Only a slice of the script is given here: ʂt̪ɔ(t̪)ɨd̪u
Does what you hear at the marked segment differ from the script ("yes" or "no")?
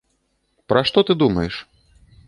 no